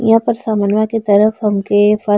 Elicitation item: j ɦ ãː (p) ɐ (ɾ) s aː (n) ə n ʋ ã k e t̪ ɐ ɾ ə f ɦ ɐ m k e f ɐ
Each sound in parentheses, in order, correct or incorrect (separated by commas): correct, correct, incorrect